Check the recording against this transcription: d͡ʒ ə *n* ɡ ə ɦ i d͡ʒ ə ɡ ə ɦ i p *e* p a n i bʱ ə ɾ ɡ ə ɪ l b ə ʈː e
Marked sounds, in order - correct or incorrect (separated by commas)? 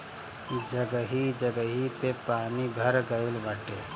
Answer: incorrect, correct